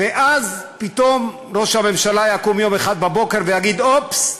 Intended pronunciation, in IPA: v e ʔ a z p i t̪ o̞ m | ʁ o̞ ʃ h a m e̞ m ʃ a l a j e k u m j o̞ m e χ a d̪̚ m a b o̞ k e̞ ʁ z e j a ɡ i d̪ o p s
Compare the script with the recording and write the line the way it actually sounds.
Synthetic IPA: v e ʔ a z p i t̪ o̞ m | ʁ o̞ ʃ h a m e̞ m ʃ a l a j a k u m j o̞ m e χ a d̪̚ b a b o̞ k e̞ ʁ v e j a ɡ i d̪ o p s